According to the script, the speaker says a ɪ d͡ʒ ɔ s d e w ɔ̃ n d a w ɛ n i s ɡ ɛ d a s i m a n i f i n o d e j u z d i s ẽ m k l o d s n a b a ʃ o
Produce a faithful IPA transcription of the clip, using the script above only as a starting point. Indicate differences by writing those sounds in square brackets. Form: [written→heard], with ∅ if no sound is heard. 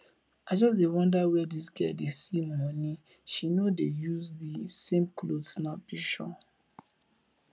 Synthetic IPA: a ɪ d͡ʒ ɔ s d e w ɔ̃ n d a w ɛ [n→d] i s ɡ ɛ d [a→e] s i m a n i [f→ʃ] i n o d e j u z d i s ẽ m k l o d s n a b [a→i] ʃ [o→ɔ]